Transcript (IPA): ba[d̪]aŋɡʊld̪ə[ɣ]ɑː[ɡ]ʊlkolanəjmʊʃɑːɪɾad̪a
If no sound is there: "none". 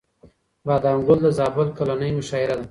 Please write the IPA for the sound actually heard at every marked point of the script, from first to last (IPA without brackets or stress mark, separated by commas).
d̪, z, b